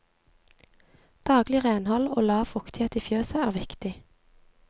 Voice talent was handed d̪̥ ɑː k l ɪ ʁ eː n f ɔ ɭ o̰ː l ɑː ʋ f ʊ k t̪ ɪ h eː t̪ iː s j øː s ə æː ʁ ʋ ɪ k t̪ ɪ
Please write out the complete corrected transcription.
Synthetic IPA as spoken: d̪̥ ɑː ɡ l ɪ ʁ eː n h ɔ l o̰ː l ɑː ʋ f ʊ k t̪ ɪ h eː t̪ iː f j øː s ə æː ʁ ʋ ɪ k t̪ ɪ